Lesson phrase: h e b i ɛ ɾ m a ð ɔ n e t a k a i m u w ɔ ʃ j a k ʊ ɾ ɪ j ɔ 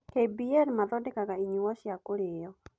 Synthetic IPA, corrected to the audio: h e b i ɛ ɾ m a ð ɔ d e k a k a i ɲ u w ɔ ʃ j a k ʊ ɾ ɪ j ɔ